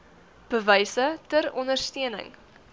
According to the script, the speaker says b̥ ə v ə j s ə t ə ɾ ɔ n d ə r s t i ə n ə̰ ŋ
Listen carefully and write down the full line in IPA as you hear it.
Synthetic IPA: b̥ ə v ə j s ə t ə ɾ ɔ n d ə r s t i ə n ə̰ ŋ